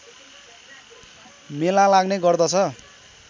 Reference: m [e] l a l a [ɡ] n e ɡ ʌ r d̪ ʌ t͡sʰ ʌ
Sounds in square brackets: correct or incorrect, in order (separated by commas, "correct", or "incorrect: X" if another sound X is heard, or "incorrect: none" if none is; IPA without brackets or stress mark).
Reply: correct, correct